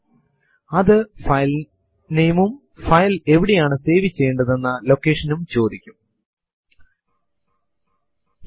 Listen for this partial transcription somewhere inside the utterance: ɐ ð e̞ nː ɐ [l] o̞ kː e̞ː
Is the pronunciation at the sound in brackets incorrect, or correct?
correct